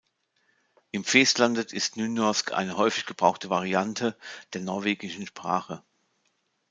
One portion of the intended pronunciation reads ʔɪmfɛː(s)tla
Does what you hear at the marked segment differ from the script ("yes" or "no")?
no